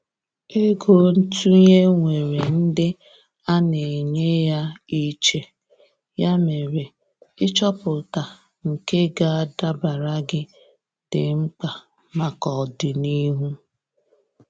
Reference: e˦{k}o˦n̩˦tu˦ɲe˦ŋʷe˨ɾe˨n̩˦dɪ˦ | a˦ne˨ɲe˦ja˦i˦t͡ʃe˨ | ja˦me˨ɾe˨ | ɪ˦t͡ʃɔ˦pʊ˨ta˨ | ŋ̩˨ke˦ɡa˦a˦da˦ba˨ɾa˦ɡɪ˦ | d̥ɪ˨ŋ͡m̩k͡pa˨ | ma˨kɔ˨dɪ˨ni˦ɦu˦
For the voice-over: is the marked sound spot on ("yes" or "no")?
no